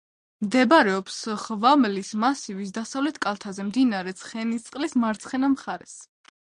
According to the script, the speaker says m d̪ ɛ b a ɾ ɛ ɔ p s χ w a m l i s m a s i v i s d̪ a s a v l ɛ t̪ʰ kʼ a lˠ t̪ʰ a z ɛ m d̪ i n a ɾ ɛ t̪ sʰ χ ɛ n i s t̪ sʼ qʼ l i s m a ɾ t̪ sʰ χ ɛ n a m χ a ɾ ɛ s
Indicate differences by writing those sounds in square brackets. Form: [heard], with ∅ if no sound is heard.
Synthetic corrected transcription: m d̪ ɛ b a ɾ ɛ ɔ p s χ [v] a m l i s m a s i v i s d̪ a s a v l ɛ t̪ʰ kʼ a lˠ t̪ʰ a z ɛ m d̪ i n a ɾ ɛ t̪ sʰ χ ɛ n i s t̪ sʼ qʼ l i s m a ɾ t̪ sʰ χ ɛ n a m χ a ɾ ɛ s